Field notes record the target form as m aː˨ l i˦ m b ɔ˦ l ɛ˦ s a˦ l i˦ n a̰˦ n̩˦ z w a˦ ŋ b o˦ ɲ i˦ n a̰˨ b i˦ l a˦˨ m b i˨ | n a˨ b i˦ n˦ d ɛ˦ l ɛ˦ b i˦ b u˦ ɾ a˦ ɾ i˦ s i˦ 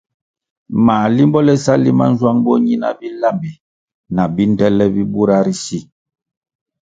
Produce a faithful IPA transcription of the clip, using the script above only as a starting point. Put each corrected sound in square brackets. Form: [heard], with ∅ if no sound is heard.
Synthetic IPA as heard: m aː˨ l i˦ m b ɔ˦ l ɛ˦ s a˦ l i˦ [m] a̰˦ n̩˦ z w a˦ ŋ b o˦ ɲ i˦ n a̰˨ b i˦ l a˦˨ m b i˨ | n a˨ b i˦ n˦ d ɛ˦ l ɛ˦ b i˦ b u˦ ɾ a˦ ɾ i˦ s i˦

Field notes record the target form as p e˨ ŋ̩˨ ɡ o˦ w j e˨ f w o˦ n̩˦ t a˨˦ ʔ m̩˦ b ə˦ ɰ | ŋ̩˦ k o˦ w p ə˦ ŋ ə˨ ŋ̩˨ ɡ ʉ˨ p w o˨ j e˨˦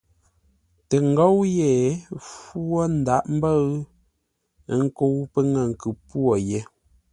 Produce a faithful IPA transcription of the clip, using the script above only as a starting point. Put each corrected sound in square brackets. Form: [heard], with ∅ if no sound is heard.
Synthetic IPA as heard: [t] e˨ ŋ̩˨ ɡ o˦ w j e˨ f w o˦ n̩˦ [d] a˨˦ ʔ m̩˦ b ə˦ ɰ | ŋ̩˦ k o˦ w p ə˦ ŋ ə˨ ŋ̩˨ [k] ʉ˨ p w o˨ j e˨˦

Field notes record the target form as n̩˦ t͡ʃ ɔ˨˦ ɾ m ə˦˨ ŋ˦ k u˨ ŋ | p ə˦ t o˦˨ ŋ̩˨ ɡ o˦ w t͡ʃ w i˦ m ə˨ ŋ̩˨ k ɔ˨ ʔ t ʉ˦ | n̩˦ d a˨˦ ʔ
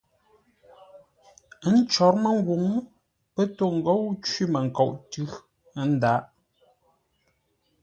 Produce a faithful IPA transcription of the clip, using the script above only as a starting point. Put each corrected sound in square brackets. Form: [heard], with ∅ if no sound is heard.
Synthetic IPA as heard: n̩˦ t͡ʃ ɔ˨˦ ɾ m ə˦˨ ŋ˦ [ɡ] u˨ ŋ | p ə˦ t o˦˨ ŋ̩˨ ɡ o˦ w t͡ʃ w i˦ m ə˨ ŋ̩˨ k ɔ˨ ʔ t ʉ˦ | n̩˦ d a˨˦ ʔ

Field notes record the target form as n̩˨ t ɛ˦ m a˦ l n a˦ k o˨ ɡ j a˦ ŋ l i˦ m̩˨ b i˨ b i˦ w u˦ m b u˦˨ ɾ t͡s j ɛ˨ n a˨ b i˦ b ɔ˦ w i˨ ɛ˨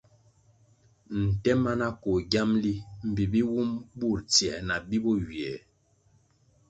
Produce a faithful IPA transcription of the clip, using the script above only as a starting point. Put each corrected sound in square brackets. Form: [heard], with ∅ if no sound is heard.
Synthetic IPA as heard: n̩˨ t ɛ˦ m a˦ [∅] n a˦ k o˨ ɡ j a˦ [m] l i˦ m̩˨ b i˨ b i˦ w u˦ m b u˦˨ ɾ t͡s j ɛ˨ n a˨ b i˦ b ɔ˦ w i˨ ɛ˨

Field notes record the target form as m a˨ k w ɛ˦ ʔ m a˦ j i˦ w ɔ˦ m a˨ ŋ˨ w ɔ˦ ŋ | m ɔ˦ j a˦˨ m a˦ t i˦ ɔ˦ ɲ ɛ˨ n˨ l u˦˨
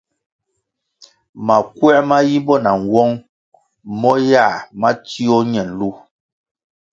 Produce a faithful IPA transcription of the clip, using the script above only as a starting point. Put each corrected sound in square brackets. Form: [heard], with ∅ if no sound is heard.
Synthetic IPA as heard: m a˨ k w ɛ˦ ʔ m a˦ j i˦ [b] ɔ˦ [n] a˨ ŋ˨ w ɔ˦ ŋ | m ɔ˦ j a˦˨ m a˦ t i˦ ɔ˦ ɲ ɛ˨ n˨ l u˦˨

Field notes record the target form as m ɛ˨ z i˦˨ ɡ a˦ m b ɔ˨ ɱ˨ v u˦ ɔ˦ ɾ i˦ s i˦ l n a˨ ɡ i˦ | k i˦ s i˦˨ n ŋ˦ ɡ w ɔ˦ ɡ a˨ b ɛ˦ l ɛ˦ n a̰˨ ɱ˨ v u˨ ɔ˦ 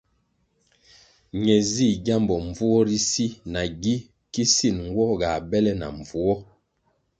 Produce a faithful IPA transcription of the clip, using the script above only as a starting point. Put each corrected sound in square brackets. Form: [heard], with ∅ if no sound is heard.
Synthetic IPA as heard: [ɲ] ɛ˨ z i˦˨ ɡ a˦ m b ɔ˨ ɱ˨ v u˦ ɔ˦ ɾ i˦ s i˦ [∅] n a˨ ɡ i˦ | k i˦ s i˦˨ n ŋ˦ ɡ w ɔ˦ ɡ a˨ b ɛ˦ l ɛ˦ n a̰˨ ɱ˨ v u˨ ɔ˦

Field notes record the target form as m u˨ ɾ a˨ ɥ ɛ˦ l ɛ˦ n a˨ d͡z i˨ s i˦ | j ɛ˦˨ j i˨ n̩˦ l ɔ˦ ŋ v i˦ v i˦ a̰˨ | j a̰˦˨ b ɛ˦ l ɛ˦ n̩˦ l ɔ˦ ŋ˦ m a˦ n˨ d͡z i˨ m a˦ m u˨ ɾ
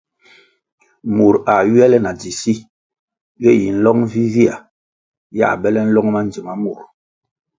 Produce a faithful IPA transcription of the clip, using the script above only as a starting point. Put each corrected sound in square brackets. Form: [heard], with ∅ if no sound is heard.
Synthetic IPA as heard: m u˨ ɾ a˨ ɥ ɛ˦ l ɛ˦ n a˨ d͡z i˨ s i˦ | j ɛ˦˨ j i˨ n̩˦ l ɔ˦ ŋ v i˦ v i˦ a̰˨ | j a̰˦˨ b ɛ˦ l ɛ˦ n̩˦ l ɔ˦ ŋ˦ m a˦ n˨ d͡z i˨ m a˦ m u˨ ɾ

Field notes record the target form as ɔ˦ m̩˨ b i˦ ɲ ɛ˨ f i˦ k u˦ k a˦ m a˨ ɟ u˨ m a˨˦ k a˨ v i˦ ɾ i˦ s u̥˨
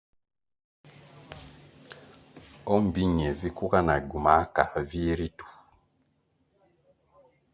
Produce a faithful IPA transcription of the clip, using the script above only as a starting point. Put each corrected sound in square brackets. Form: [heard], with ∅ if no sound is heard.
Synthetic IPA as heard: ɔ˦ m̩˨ b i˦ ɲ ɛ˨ [v] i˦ k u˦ k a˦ [n] a˨ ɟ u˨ m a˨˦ k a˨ v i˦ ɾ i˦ [t] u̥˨

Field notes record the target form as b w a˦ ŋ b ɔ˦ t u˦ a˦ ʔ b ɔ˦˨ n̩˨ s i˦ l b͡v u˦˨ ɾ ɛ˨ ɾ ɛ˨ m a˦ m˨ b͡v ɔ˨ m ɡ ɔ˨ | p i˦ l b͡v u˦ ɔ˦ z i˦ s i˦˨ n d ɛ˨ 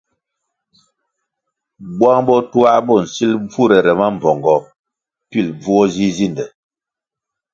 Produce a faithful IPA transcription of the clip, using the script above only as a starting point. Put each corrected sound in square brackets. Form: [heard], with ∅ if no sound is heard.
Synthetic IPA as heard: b w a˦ ŋ b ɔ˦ t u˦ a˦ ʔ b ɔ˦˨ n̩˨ s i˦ l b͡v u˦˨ ɾ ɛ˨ ɾ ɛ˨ m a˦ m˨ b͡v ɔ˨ [ŋ] ɡ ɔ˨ | p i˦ l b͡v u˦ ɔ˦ z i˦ [z] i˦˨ n d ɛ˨

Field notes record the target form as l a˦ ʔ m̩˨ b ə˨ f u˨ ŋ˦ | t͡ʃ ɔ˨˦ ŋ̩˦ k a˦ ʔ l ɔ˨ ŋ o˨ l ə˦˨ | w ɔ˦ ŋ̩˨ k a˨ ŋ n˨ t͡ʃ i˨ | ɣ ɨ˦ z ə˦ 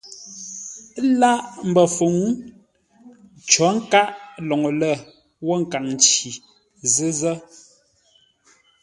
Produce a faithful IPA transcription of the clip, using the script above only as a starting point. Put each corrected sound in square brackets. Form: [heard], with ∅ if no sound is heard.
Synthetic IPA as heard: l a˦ ʔ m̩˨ b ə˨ f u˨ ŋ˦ | t͡ʃ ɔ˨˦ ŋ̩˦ k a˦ ʔ l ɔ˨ ŋ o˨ l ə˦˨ | w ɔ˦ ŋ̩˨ k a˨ ŋ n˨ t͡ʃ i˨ | [z] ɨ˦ z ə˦

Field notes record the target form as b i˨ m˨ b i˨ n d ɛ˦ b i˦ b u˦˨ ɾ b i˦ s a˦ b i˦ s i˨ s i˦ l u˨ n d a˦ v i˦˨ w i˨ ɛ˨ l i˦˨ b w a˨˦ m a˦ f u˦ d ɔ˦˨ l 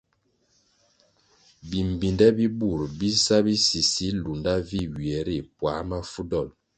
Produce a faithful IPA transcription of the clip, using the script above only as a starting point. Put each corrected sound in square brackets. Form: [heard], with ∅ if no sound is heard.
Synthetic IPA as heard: b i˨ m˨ b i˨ n d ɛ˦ b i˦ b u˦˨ ɾ b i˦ s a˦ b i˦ s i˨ s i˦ l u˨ n d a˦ v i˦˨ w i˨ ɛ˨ [ɾ] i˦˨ [p] w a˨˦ m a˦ f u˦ d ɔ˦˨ l

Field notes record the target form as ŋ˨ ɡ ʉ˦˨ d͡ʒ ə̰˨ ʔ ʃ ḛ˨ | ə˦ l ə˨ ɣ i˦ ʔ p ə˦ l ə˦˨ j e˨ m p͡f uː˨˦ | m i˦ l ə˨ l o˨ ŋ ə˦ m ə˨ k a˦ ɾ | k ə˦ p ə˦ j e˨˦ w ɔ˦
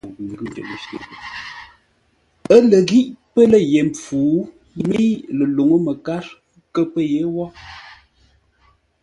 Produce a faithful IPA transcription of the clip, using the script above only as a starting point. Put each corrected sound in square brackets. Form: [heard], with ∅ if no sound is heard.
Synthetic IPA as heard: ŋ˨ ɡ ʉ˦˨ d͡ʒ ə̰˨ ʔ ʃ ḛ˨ | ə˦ l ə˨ ɣ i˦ ʔ p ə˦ l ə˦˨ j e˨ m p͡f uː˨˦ | m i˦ l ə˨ l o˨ ŋ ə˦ m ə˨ k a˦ ɾ | k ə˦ p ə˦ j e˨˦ w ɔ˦

